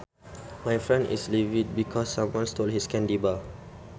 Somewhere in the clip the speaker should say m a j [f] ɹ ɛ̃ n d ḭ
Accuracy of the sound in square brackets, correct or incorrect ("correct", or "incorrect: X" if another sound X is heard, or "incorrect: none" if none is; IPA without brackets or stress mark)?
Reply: correct